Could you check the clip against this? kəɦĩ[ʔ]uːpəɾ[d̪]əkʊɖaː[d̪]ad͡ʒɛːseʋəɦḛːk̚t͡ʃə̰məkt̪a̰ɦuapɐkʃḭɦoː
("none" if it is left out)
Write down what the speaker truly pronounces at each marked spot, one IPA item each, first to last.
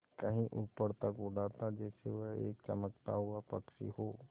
ʔ, t̪, t̪

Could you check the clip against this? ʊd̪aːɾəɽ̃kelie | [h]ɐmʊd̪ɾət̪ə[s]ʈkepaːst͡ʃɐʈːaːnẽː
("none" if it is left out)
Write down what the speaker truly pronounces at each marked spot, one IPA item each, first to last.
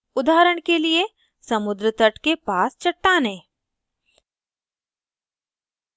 s, none

